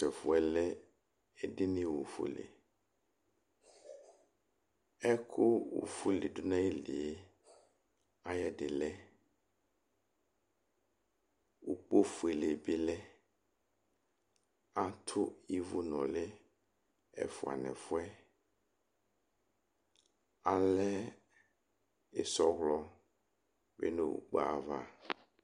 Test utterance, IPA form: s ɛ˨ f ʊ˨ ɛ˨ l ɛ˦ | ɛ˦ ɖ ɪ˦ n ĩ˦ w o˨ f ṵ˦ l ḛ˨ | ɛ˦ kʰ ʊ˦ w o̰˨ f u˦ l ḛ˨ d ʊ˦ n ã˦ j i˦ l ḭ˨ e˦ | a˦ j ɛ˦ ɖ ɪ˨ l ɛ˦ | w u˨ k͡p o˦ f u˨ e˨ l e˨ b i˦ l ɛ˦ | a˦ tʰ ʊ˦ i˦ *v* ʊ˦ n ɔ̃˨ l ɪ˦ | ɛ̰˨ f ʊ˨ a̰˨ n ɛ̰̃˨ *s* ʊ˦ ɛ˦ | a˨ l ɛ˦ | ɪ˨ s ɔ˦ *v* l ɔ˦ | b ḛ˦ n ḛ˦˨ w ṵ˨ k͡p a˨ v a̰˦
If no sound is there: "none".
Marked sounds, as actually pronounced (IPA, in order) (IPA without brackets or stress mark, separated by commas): v, f, ɣ